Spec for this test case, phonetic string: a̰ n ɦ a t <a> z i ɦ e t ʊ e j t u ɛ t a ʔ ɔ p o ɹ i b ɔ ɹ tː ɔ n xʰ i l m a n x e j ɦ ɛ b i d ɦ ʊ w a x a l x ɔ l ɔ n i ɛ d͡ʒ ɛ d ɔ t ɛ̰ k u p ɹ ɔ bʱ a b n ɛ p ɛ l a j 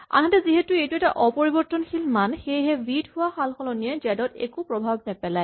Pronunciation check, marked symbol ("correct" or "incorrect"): incorrect